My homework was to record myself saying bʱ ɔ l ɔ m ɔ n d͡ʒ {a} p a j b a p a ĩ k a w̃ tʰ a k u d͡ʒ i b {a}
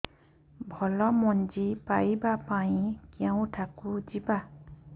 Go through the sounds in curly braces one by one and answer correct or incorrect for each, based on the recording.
incorrect: i, correct

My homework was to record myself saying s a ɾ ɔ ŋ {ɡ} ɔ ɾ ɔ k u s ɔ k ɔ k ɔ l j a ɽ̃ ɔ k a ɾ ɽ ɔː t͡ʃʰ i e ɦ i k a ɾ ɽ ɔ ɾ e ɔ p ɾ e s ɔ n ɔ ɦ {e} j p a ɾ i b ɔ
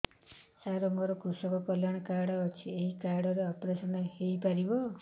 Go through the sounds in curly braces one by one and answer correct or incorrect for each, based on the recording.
correct, correct

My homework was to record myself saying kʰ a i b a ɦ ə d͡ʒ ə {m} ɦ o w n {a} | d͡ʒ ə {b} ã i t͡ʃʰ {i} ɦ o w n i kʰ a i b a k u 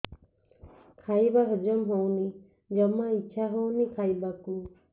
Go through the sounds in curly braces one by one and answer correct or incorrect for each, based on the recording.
correct, incorrect: i, incorrect: m, incorrect: a

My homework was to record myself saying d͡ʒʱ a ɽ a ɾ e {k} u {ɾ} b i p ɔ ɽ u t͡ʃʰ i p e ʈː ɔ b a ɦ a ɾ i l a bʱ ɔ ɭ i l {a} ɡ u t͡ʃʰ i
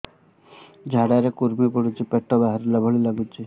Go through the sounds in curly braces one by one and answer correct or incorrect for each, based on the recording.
correct, correct, correct

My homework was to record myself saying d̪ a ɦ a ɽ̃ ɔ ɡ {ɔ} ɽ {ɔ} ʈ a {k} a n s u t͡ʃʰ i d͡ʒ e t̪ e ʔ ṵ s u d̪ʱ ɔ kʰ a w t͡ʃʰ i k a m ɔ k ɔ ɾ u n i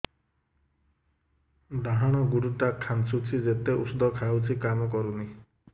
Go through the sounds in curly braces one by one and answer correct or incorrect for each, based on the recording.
incorrect: u, incorrect: u, incorrect: kʰ

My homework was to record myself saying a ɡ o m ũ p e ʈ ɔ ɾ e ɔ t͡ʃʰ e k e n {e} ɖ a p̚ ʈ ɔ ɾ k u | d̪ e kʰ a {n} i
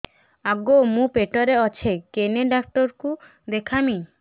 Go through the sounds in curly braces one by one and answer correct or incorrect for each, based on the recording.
correct, incorrect: m

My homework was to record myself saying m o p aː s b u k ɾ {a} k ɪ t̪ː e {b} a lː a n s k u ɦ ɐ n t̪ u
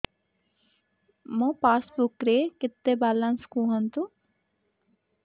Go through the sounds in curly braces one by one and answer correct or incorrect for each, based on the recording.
incorrect: e, correct

